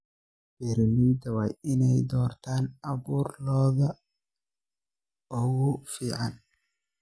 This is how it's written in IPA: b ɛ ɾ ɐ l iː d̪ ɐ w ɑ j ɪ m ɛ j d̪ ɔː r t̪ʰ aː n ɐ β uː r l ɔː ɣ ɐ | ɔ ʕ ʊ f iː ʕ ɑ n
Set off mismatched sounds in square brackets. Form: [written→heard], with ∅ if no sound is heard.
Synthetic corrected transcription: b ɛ ɾ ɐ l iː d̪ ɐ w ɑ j ɪ [m→n] ɛ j d̪ ɔː r t̪ʰ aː n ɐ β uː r l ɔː [ɣ→ð] ɐ | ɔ [ʕ→ɣ] ʊ f iː ʕ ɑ n